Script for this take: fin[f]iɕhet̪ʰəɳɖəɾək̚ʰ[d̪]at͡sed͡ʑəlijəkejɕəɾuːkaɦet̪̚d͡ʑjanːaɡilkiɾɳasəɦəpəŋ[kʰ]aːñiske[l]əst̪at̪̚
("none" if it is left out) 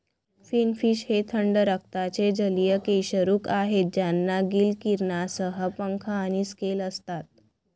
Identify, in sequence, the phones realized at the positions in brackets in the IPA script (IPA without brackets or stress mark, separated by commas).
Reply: f, t̪, kʰ, l